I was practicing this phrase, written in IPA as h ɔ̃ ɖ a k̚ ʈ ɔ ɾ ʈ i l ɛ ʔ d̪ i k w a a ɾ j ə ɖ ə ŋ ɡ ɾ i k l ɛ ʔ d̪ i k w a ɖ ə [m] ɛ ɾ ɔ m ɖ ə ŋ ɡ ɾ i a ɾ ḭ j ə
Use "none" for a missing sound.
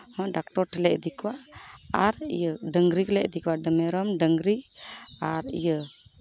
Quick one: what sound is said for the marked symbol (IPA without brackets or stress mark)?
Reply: m